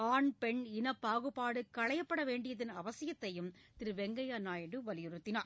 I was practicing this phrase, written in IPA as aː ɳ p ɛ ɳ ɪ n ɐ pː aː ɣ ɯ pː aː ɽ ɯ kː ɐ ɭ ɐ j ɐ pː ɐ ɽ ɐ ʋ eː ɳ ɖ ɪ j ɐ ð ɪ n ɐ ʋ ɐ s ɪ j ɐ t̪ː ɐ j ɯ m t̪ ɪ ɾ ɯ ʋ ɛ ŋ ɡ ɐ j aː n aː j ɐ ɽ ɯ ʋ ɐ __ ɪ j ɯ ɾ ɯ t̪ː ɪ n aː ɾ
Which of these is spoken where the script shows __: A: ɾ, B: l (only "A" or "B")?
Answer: B